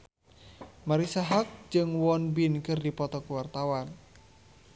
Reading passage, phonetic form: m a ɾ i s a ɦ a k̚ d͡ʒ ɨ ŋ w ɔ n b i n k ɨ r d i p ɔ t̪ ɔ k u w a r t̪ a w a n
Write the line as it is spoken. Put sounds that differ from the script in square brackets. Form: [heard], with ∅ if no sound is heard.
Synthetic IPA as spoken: m a ɾ i s a ɦ a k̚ d͡ʒ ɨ ŋ w ɔ n b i n k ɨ r d i p ɔ t̪ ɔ k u w a r t̪ a w a n